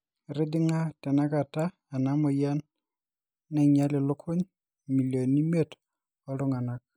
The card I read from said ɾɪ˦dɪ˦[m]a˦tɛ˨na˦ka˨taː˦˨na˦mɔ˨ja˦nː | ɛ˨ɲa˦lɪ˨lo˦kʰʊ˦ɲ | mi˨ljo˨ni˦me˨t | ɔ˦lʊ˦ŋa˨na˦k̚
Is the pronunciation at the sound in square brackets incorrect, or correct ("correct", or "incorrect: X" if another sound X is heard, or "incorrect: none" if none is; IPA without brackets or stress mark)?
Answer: incorrect: ŋ